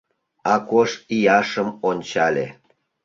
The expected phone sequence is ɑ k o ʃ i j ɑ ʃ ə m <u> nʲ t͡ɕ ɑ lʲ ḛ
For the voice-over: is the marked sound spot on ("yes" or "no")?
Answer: no